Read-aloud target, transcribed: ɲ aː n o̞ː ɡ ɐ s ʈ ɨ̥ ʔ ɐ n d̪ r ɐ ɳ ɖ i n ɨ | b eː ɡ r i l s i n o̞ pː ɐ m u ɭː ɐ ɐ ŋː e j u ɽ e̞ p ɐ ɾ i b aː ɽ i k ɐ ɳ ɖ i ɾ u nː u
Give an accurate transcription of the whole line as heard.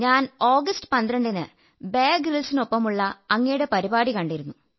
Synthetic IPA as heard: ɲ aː n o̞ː ɡ ɐ s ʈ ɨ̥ p ɐ n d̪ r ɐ ɳ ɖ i n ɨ | b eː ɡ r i l s i n o̞ pː ɐ m u ɭː ɐ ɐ ŋː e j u ɽ e̞ p ɐ ɾ i b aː ɽ i k ɐ ɳ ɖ i ɾ u nː u